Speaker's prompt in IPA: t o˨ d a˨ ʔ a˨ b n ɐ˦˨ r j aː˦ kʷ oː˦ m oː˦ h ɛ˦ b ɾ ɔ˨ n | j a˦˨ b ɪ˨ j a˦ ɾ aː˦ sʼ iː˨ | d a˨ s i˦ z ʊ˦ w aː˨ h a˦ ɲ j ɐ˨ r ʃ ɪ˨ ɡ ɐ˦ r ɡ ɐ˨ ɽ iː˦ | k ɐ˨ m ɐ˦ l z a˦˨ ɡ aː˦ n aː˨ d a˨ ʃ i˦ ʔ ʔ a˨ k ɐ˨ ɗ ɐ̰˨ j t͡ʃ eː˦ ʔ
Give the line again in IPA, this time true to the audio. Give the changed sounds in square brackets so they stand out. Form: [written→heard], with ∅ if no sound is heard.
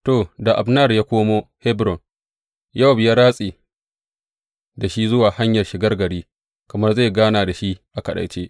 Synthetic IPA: t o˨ d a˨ ʔ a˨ b n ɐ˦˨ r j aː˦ kʷ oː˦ m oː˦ h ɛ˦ b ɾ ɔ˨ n | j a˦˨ b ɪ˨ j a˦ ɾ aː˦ sʼ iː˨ | d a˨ [s→ʃ] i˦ z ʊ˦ w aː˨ h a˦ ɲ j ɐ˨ r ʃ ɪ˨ ɡ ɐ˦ r ɡ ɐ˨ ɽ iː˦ | k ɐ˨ m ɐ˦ [l→r] z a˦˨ ɡ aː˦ n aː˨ d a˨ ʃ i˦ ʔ ʔ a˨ k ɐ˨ ɗ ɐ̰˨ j t͡ʃ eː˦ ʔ